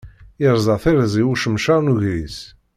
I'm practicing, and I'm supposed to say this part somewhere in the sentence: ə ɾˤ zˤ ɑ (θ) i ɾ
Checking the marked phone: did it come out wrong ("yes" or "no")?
no